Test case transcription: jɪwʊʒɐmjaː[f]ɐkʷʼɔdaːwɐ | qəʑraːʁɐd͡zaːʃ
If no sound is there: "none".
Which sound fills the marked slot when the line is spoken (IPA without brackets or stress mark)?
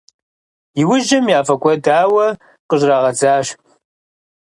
f